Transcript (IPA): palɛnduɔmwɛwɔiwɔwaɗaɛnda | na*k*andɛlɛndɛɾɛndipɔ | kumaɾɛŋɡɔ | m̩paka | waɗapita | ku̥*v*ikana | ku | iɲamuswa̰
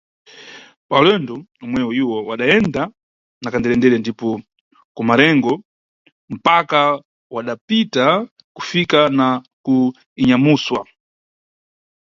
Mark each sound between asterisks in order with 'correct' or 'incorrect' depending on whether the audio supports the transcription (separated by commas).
correct, incorrect